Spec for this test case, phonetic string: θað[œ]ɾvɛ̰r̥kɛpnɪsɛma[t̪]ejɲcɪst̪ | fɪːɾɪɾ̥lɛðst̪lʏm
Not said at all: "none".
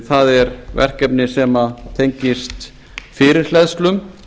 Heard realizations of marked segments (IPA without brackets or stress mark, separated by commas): ɛ, t̪ʰ